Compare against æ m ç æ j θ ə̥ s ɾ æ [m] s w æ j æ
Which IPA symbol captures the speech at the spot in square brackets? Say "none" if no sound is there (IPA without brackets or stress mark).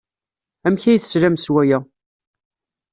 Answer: m